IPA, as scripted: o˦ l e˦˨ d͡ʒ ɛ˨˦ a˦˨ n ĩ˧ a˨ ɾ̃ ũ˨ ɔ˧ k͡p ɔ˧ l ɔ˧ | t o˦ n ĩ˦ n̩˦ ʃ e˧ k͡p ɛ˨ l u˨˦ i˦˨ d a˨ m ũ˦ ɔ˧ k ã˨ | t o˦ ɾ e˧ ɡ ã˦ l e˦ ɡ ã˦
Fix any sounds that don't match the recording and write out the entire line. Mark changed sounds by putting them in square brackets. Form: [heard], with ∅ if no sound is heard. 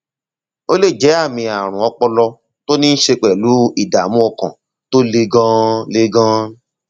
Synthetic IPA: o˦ l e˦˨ d͡ʒ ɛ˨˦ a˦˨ [m] ĩ˧ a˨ ɾ̃ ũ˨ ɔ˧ k͡p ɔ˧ l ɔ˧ | t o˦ n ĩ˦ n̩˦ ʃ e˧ k͡p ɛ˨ l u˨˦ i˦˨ d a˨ m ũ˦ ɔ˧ k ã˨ | t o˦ [l] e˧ ɡ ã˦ l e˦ ɡ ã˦